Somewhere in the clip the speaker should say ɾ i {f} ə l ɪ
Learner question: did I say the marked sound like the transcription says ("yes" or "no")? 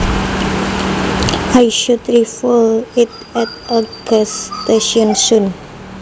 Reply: yes